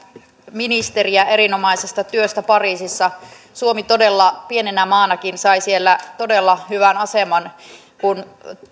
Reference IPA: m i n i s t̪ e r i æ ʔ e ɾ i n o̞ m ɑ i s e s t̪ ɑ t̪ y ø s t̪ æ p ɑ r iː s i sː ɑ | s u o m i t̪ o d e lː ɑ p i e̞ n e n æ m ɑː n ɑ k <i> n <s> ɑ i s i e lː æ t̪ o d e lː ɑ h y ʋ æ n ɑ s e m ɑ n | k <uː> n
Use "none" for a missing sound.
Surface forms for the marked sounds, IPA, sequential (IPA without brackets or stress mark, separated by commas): i, s, u